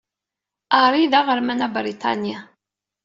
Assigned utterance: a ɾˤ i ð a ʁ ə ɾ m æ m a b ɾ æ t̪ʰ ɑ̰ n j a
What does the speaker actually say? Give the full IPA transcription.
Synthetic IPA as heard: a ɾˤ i ð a ʁ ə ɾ m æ n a b ɾ i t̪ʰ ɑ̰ n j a